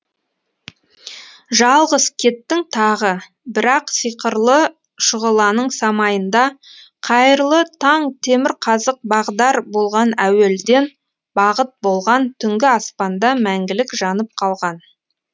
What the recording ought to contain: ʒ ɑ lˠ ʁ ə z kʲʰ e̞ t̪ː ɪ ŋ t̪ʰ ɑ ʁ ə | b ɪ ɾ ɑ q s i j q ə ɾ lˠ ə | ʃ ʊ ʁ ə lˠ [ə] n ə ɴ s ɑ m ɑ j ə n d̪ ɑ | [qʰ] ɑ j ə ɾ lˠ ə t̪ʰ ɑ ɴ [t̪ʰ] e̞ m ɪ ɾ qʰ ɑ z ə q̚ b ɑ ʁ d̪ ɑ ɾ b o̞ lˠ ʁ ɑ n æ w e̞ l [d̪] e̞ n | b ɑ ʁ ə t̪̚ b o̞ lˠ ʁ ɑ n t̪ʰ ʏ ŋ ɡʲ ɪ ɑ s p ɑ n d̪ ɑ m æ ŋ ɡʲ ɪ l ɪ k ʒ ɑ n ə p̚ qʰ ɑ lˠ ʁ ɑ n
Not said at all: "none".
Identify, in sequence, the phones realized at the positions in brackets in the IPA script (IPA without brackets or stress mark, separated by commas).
ɑ, qʰ, t̪ʰ, d̪